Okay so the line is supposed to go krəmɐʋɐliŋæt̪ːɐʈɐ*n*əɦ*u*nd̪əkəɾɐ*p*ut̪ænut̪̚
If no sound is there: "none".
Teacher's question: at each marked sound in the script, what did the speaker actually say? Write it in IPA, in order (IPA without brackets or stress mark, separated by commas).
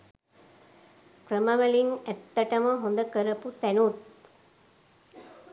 m, o, p